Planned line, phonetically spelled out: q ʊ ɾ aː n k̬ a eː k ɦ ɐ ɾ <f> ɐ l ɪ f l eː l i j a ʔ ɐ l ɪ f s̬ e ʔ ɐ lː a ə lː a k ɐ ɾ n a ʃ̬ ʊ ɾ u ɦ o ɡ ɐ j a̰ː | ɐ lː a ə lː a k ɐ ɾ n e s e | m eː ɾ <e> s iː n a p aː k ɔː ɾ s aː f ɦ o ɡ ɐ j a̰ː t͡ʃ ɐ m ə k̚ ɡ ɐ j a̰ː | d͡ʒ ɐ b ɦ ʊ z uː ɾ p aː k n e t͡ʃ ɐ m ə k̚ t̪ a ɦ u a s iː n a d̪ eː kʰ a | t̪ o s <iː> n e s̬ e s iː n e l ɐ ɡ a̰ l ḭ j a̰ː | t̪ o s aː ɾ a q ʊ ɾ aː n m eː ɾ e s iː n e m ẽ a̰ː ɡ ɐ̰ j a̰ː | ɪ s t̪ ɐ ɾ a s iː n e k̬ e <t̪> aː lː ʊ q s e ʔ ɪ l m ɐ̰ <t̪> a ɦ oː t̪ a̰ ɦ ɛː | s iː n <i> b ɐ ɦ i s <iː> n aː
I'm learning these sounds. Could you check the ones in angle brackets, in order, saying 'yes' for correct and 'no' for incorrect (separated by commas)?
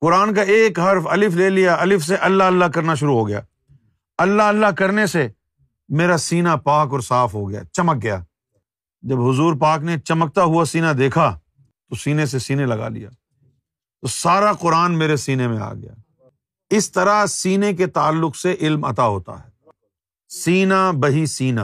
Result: yes, no, yes, yes, yes, no, yes